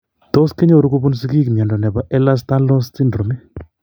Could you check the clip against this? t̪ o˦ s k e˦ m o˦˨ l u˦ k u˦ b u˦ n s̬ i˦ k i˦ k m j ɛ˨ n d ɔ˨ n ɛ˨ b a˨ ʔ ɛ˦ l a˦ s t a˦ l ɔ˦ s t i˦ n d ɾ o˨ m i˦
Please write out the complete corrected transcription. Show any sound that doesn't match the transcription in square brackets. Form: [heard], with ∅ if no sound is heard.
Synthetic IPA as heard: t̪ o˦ s k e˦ [ɲ] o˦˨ [ɾ] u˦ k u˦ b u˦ n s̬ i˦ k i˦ k m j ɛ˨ n d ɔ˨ n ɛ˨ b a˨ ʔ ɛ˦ l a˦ s t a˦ l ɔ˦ s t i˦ n d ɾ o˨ m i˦